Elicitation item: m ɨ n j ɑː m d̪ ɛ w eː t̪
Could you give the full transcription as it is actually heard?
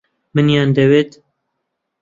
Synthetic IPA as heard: m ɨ n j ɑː n d̪ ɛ w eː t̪